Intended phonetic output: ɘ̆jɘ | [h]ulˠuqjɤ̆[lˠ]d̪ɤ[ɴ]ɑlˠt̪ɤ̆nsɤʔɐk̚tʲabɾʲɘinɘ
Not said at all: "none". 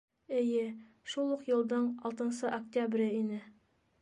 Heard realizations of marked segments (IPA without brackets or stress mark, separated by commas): ʃ, lˠ, ɴ